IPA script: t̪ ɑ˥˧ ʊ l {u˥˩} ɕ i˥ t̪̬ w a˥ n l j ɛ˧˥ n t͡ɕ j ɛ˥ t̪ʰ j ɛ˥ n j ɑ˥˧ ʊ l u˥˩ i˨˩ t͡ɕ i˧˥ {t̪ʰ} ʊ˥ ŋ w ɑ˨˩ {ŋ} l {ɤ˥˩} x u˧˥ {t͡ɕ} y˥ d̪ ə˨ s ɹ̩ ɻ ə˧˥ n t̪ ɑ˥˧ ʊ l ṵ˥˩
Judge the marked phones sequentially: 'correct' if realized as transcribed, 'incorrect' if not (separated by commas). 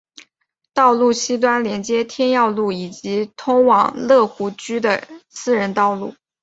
correct, correct, correct, correct, correct